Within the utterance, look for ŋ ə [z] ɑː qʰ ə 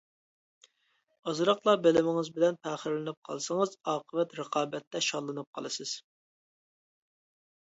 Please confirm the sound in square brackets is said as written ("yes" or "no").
yes